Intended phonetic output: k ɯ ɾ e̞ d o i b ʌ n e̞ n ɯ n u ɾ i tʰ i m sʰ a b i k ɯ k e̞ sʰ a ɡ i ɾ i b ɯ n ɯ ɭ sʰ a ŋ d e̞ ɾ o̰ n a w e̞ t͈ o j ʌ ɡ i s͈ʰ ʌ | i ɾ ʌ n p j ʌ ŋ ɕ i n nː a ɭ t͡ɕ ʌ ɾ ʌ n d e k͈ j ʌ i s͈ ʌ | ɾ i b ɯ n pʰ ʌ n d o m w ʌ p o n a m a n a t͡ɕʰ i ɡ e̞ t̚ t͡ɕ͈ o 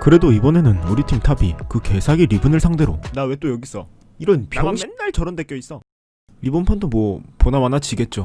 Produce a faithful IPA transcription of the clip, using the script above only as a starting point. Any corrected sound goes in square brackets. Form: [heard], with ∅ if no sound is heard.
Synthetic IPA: k ɯ ɾ e̞ d o i b ʌ n e̞ n ɯ n u ɾ i tʰ i m [tʰ] a b i k ɯ k e̞ sʰ a ɡ i ɾ i b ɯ n ɯ ɭ sʰ a ŋ d e̞ ɾ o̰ n a w e̞ t͈ o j ʌ ɡ i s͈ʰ ʌ | i ɾ ʌ n p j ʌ ŋ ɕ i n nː a ɭ t͡ɕ ʌ ɾ ʌ n d e k͈ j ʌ i s͈ ʌ | ɾ i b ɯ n pʰ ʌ n d o m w ʌ p o n a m a n a [t͡ɕ] i ɡ e̞ t̚ t͡ɕ͈ o